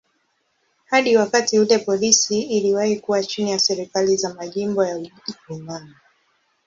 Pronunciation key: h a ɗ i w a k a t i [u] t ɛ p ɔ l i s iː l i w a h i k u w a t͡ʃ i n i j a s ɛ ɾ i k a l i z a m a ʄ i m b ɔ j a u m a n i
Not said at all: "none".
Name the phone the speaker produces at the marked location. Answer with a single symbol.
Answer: u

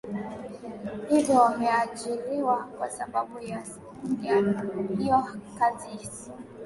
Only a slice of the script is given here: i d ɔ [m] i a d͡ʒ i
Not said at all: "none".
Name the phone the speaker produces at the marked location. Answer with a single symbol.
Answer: m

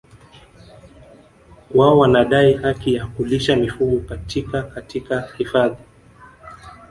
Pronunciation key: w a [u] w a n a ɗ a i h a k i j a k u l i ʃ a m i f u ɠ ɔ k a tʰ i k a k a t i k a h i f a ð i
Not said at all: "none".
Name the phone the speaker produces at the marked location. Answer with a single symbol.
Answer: ɔ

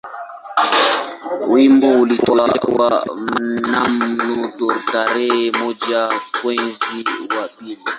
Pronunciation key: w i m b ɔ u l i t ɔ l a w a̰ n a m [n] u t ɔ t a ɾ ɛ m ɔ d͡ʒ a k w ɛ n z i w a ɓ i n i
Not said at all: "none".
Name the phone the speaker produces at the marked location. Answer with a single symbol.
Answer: n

